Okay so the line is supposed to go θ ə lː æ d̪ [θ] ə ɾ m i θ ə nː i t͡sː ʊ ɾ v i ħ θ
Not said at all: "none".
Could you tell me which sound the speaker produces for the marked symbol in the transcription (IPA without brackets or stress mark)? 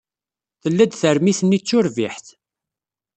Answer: θ